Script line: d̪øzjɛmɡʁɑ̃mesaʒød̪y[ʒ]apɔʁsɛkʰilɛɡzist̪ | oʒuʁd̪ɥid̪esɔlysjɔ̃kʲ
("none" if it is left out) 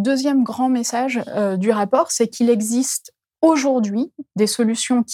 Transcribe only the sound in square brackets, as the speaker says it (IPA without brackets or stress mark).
ʁ